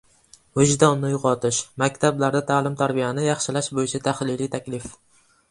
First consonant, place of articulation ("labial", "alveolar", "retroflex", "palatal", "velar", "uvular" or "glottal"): glottal